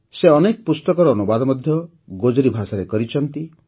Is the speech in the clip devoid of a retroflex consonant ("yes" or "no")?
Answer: yes